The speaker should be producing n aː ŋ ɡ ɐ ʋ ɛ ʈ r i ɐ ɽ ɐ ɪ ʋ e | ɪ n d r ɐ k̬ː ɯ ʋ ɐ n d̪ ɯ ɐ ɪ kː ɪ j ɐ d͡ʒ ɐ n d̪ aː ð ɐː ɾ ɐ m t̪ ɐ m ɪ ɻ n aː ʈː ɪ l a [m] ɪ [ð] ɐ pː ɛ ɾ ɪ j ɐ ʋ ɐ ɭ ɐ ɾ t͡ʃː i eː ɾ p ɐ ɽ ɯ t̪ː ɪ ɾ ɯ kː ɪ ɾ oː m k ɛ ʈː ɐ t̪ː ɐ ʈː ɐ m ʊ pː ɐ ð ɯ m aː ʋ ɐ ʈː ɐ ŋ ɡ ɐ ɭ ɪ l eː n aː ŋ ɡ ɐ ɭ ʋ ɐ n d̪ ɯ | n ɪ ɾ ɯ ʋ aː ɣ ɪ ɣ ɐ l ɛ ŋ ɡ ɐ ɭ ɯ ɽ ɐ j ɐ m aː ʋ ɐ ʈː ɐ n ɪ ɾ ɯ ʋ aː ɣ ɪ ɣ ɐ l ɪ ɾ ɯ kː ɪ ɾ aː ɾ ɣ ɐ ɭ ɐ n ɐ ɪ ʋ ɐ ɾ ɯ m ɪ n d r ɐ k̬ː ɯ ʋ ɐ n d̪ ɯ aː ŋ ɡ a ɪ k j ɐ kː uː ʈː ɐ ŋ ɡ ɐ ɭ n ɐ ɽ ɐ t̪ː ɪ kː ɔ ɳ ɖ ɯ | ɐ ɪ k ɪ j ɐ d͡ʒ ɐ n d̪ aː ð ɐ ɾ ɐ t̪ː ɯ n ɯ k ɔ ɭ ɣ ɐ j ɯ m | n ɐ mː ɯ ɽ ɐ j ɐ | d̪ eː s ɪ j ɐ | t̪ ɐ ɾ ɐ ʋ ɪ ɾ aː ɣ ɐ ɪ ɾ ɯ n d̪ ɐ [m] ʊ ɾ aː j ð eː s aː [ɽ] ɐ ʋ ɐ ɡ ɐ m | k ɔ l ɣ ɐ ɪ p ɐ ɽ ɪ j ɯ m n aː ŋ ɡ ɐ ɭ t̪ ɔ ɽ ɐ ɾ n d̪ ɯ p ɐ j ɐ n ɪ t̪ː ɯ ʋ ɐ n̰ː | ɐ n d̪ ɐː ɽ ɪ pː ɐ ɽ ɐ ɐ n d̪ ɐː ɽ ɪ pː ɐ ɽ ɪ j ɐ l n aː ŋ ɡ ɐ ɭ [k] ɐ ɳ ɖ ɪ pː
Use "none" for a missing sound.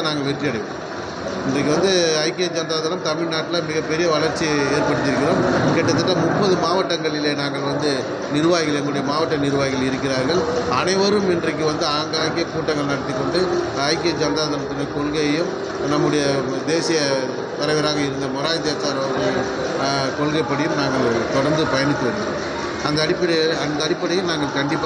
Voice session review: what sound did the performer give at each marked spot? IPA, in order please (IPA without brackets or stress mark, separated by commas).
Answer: m, ɣ, m, ɾ, k